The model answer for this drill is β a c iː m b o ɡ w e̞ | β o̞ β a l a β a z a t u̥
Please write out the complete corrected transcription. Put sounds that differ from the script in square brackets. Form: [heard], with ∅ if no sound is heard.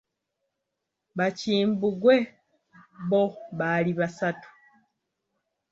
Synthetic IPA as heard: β a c iː m b [u] ɡ w e̞ | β o̞ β a l [i] β a [s] a t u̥